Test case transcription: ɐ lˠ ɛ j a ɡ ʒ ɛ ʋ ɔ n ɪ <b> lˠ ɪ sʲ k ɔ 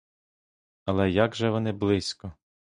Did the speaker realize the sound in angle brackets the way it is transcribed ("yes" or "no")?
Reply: yes